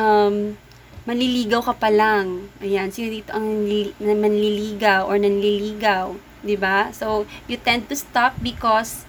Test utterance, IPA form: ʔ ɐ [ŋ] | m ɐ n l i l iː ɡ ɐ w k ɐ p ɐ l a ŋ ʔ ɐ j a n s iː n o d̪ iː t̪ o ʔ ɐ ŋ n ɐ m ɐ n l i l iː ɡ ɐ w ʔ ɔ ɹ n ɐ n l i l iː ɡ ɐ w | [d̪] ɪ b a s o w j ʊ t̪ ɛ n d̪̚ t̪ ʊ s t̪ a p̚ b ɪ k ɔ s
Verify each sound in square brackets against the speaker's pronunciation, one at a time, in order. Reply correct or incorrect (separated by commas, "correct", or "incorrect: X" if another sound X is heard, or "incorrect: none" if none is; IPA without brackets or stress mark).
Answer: incorrect: m, correct